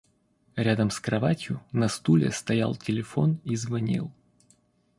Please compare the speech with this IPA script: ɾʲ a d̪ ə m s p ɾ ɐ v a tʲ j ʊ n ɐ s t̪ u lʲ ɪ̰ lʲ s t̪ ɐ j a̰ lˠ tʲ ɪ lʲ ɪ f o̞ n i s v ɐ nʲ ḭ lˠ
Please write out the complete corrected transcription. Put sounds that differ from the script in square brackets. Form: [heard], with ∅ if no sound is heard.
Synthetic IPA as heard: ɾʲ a d̪ ə m s [k] ɾ ɐ v a tʲ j ʊ n ɐ s t̪ u lʲ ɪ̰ [∅] s t̪ ɐ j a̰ lˠ tʲ ɪ lʲ ɪ f o̞ n i [z] v ɐ nʲ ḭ lˠ